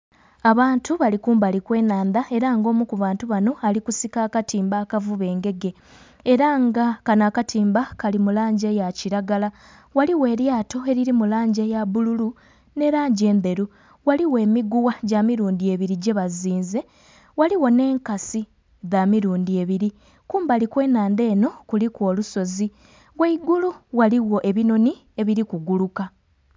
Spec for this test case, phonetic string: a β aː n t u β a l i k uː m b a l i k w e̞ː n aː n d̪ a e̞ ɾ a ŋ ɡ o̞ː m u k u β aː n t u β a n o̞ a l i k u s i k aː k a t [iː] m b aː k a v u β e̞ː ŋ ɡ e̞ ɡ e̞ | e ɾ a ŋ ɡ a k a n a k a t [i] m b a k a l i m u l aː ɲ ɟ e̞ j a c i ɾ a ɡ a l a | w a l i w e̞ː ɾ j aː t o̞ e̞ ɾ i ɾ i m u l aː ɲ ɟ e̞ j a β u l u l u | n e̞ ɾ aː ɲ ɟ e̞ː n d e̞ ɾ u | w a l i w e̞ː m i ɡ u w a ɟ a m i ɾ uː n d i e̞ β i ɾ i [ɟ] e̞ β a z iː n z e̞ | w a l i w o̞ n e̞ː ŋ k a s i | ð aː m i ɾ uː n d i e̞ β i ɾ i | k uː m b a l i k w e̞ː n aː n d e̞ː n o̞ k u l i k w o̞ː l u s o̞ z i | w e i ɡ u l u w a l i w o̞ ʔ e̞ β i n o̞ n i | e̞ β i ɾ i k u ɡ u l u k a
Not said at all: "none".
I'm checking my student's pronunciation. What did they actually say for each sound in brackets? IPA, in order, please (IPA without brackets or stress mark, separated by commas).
iː, iː, ɟ